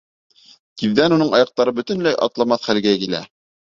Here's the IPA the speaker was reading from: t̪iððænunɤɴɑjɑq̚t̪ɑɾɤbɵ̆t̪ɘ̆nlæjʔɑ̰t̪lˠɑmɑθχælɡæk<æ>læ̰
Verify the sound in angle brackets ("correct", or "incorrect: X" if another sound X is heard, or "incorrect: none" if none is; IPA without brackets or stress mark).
incorrect: i